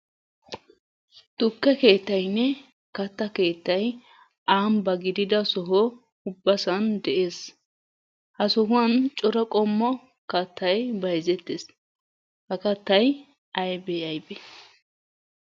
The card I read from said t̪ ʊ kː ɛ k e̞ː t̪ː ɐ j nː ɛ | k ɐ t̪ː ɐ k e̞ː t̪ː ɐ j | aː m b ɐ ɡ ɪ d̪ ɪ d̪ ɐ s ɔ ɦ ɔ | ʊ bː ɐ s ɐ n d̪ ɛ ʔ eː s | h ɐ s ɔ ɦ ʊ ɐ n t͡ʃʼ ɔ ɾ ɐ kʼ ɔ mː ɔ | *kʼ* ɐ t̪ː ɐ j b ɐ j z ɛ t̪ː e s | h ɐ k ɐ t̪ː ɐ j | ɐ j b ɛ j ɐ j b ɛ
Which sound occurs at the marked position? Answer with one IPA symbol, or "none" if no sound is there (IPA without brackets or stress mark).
k